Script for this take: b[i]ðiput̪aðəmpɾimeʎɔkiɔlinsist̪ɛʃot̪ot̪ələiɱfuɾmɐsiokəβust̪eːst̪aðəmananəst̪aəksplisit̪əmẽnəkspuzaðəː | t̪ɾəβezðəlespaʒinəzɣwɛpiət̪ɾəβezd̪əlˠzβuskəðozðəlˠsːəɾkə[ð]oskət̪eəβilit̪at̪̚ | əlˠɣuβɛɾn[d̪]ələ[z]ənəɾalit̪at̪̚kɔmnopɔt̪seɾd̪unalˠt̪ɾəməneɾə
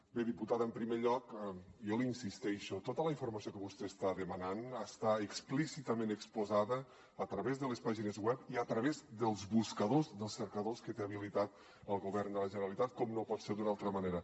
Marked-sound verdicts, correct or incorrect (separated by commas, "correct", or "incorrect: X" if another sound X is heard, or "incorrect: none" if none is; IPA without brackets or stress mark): incorrect: e, correct, correct, incorrect: ʒ